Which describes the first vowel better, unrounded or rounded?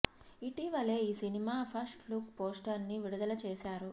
unrounded